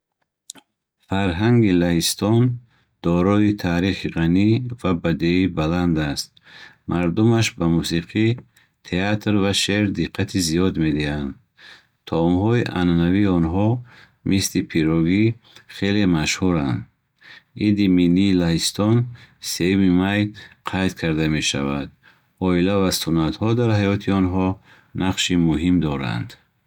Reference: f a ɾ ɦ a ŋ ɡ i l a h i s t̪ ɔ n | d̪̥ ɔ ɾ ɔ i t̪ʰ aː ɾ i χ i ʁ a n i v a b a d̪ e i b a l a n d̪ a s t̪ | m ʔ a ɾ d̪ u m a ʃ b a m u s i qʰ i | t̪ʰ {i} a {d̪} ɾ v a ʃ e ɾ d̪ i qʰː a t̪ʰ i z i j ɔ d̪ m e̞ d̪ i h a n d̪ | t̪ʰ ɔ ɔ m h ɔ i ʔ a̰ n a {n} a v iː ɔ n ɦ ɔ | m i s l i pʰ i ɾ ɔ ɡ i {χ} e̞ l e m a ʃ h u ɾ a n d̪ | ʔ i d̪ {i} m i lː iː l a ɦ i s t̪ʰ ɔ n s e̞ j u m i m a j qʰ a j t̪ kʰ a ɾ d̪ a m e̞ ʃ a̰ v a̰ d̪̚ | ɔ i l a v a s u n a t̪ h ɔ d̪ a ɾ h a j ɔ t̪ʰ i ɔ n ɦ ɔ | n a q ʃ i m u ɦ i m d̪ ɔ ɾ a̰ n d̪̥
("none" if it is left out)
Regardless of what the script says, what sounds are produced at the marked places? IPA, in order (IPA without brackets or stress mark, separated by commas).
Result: e, t̪, n, χ, i